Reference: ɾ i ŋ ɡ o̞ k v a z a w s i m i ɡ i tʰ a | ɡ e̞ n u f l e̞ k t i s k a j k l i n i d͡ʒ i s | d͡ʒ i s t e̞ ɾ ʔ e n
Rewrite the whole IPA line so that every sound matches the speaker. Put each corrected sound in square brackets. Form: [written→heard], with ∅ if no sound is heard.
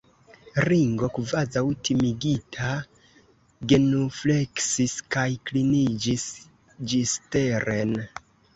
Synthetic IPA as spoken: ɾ i ŋ ɡ o̞ k v a z a w [s→t] i m i ɡ i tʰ a | ɡ e̞ n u f l e̞ k [t→s] i s k a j k l i n i d͡ʒ i s | d͡ʒ i s t e̞ ɾ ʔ e n